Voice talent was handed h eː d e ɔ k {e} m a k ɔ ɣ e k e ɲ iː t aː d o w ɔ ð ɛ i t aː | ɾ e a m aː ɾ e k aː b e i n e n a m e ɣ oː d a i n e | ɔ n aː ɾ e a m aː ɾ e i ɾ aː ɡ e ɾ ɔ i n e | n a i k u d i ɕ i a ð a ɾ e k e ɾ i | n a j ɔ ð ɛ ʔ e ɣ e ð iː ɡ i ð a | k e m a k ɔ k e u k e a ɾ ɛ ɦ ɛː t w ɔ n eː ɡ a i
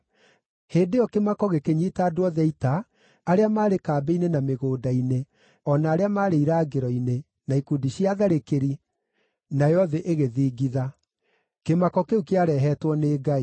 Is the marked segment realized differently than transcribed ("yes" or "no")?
no